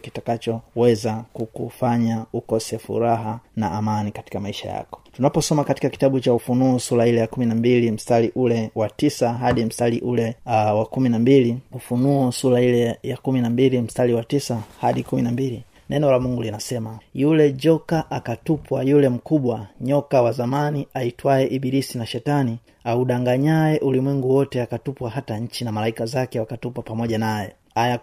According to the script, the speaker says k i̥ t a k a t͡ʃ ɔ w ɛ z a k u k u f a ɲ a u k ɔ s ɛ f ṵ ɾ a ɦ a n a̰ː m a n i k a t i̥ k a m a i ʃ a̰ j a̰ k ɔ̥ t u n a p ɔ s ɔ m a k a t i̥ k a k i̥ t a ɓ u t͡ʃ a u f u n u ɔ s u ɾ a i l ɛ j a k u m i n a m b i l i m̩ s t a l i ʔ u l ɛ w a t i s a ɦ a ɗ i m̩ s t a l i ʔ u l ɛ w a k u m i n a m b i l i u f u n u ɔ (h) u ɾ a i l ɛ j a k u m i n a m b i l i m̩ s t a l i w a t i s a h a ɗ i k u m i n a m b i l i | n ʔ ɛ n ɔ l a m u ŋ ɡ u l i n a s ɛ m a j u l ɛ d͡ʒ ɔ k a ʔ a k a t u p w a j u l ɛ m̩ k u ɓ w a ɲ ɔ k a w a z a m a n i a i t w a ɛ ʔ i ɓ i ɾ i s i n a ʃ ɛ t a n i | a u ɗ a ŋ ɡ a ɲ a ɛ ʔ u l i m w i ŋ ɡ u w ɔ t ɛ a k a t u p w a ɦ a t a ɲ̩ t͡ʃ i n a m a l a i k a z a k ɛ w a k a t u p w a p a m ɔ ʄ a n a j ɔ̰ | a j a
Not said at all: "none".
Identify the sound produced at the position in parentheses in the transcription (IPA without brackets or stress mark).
s